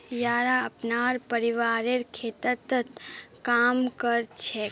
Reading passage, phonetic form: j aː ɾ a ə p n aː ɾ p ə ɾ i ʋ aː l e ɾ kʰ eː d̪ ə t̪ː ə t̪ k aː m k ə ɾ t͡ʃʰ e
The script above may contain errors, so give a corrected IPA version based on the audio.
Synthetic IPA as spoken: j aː ɾ a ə p n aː ɾ p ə ɾ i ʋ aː ɾ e ɾ kʰ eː t̪ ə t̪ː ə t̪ k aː m k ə ɾ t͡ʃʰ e

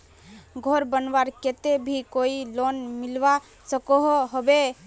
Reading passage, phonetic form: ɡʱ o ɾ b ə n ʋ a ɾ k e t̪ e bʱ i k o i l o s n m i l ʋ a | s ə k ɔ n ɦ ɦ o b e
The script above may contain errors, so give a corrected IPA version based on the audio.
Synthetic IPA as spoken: ɡʱ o ɾ b ə n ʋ a ɾ k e t̪ e bʱ i k o i l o n m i l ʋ a | s ə k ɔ ɦ ɦ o b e

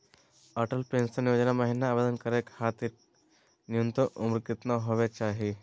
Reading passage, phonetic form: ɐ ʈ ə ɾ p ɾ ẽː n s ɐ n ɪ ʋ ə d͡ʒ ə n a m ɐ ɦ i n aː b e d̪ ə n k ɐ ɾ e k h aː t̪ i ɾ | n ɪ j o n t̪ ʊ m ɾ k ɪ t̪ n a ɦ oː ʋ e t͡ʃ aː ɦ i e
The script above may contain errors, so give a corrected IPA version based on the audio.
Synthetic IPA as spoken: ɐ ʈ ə l p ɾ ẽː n s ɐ n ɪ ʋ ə d͡ʒ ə n a m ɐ ɦ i n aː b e d̪ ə n k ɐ ɾ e k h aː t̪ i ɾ | n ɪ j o n t̪ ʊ m ɾ k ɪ t̪ n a ɦ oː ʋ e t͡ʃ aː ɦ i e

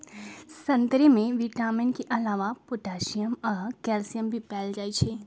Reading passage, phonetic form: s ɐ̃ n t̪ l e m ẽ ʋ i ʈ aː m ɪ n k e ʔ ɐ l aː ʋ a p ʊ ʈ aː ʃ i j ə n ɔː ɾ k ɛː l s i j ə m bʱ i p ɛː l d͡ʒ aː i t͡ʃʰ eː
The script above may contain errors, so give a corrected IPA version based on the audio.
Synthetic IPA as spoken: s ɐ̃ n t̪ ɾ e m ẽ ʋ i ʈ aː m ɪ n k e ʔ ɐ l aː ʋ a p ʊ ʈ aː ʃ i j ə m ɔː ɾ k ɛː l s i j ə m bʱ i p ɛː l d͡ʒ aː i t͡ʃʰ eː

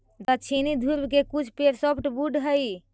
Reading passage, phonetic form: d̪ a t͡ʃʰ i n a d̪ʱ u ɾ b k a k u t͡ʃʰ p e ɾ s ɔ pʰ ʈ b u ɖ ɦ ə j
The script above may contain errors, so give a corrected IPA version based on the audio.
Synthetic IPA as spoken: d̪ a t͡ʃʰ i n i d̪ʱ u ɾ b k e k u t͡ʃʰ p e ɾ s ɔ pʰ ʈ b u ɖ ɦ ə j

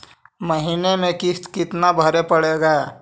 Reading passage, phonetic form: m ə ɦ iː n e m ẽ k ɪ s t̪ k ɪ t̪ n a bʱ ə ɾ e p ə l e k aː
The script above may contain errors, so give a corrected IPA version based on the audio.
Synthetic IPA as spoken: m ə ɦ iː n e m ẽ k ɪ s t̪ k ɪ t̪ n a bʱ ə ɾ e p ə ɽ e ɡ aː

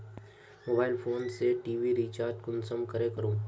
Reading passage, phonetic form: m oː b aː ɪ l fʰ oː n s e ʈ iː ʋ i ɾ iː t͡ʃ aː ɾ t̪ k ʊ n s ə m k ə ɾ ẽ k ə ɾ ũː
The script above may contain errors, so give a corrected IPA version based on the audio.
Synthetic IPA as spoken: m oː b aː ɪ l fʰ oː n s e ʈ iː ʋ i ɾ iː t͡ʃ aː ɾ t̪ k ʊ n s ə m k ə ɾ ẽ k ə ɾ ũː

